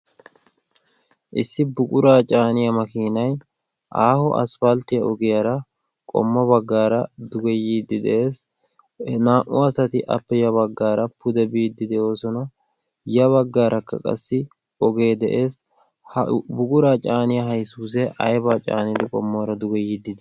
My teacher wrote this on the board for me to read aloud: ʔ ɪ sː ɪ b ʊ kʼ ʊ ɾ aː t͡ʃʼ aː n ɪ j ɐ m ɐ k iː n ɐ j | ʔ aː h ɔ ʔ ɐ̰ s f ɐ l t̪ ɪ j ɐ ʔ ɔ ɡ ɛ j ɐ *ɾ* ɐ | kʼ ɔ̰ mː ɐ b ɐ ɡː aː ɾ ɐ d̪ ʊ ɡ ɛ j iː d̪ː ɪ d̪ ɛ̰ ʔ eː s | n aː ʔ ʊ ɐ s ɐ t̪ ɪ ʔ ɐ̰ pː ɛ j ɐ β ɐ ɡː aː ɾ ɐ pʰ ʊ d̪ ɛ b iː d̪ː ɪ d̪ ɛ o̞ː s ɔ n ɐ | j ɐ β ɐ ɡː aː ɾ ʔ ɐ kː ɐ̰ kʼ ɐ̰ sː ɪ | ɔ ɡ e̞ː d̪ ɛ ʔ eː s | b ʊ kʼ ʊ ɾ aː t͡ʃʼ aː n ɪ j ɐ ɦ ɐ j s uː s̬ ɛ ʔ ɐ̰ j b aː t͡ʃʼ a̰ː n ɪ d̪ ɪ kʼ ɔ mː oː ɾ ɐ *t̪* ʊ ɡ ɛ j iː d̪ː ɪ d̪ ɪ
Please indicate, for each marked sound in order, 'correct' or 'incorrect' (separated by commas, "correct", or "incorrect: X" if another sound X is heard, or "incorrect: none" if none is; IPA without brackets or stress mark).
correct, incorrect: d̪